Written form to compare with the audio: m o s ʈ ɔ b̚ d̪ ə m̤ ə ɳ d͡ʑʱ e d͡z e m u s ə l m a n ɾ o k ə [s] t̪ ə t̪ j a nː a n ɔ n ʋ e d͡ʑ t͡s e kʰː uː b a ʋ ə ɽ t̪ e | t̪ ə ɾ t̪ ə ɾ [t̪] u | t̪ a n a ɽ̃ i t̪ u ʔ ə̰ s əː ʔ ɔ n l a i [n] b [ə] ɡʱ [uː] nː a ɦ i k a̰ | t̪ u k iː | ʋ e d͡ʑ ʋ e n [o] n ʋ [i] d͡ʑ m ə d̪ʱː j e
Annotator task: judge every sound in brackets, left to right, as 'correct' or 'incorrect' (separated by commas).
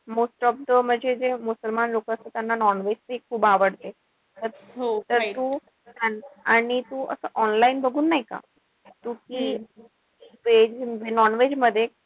correct, correct, correct, correct, correct, incorrect, incorrect